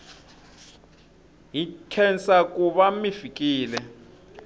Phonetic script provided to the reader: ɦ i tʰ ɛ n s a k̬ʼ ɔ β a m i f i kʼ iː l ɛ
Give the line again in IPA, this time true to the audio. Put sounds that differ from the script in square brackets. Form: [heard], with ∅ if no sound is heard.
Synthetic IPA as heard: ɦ i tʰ ɛ n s a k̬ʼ [u] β a m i f i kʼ iː l ɛ